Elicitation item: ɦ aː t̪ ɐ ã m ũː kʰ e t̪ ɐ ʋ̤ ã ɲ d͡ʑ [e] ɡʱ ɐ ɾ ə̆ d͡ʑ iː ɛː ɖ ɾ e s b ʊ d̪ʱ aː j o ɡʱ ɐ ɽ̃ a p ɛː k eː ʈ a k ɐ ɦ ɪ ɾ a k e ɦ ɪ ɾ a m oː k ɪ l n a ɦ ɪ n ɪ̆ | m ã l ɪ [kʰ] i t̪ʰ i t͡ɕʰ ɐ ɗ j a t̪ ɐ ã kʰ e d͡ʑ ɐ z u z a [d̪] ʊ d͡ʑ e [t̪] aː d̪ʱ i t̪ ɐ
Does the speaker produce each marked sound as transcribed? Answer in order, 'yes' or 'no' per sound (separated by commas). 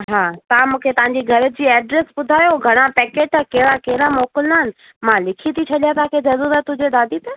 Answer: no, yes, no, no